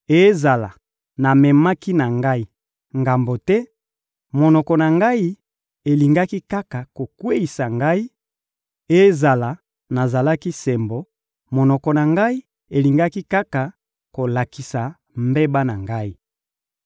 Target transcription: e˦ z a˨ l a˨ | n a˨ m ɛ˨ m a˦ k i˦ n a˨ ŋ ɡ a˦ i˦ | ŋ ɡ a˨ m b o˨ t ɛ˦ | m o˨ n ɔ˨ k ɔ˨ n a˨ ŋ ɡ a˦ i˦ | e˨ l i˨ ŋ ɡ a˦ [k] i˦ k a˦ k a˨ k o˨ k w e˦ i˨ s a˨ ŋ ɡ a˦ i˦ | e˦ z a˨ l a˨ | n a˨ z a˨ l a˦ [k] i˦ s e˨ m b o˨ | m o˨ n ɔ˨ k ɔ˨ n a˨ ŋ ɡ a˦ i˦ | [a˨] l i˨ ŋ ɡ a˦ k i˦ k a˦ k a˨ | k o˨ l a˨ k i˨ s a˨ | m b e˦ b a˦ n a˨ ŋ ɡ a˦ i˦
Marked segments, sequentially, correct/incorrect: correct, correct, incorrect: e˨

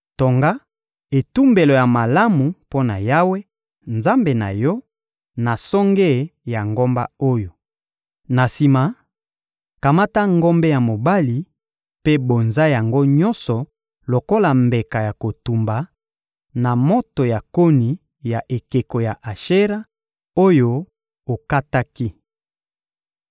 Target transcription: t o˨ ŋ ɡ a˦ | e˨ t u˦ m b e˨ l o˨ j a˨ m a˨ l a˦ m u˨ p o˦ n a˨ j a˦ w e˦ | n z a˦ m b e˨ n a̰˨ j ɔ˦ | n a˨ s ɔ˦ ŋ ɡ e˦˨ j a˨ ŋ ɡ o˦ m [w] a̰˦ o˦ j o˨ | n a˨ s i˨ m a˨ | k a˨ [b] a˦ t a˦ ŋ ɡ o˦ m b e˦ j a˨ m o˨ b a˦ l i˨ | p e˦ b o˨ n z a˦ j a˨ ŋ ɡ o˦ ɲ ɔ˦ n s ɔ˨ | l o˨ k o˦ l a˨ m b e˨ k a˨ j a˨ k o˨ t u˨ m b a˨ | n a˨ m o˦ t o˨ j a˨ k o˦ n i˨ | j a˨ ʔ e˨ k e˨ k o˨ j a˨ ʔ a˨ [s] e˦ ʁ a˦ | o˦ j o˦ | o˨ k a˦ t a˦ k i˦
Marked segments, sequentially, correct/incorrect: incorrect: b, incorrect: m, incorrect: ʃ

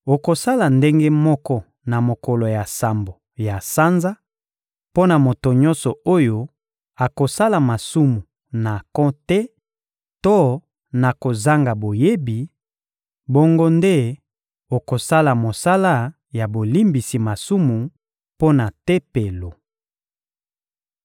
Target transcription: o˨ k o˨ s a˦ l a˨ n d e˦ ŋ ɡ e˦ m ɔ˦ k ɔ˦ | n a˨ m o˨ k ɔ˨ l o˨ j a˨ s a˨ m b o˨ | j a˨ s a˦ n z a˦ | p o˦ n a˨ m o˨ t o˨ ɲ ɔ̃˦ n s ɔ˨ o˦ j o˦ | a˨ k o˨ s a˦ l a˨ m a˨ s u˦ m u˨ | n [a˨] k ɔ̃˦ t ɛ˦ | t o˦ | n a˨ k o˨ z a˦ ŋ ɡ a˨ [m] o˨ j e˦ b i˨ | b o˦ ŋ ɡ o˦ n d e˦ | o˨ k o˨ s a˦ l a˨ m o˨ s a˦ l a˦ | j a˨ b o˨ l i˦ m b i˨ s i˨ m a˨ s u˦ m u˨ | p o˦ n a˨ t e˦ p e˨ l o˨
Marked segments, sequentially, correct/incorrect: correct, incorrect: b

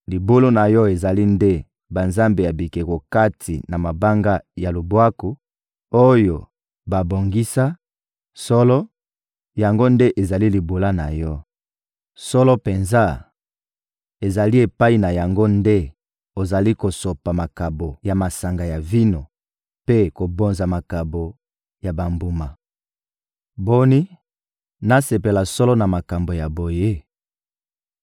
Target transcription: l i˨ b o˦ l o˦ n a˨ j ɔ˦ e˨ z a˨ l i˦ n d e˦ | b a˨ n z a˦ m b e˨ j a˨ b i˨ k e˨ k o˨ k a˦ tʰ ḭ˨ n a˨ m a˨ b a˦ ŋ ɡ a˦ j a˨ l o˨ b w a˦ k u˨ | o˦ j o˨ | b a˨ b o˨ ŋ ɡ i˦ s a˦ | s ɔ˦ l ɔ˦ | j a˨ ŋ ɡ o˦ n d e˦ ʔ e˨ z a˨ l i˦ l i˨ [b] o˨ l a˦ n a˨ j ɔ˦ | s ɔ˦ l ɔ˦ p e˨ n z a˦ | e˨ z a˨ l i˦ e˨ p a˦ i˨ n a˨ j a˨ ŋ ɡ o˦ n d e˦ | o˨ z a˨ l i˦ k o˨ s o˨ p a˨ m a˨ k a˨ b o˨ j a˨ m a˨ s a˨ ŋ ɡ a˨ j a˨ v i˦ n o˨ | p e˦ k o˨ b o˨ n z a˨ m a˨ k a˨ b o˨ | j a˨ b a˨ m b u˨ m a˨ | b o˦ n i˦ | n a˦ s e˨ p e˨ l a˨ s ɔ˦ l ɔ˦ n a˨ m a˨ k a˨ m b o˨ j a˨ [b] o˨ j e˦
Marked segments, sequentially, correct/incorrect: correct, correct

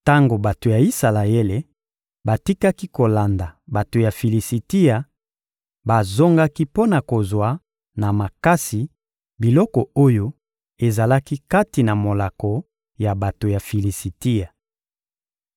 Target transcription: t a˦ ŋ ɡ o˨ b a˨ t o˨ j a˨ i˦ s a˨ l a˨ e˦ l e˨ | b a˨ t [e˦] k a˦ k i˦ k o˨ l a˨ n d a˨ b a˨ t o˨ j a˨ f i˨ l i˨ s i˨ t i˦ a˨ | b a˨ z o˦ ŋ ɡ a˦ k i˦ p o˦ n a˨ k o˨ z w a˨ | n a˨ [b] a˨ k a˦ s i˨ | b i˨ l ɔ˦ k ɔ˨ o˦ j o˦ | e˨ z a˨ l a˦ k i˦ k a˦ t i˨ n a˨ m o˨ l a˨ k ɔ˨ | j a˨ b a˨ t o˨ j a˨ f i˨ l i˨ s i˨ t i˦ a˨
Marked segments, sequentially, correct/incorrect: incorrect: i˦, incorrect: m

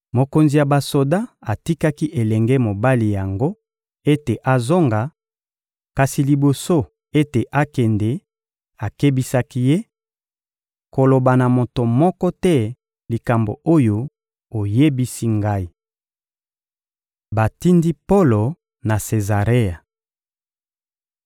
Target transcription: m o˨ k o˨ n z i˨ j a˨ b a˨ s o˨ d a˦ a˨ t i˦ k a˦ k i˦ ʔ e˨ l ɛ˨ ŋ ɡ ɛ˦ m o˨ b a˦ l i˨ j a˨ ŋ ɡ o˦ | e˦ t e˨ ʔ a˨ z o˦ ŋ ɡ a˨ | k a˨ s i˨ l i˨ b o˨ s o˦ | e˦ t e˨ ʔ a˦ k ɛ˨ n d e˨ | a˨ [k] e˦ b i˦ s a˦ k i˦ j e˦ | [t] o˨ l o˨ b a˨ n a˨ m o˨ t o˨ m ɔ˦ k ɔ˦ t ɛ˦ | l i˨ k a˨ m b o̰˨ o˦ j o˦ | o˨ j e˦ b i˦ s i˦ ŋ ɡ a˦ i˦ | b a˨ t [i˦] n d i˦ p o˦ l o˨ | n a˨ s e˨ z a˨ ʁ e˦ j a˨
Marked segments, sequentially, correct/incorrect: correct, incorrect: k, correct

